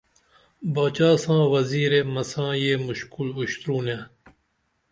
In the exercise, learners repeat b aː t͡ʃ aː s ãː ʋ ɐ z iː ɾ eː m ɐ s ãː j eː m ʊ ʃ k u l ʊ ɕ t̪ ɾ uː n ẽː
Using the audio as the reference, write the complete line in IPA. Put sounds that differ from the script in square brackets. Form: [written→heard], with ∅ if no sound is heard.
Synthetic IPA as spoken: b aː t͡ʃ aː s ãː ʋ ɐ z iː ɾ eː m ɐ s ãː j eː m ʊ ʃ k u l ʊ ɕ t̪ ɾ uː n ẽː